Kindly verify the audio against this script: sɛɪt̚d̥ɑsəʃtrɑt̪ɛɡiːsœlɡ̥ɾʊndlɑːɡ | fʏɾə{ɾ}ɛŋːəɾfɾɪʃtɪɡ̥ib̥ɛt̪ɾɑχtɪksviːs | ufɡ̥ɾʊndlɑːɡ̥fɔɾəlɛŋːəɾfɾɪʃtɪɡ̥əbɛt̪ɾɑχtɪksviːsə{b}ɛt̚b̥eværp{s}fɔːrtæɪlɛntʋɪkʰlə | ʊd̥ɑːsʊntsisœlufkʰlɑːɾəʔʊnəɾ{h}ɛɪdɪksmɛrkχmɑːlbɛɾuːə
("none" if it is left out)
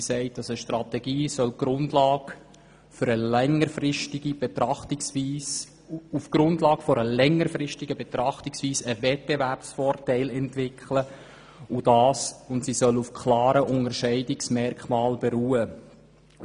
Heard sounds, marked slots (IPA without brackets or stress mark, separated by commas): l, v, s, ʃ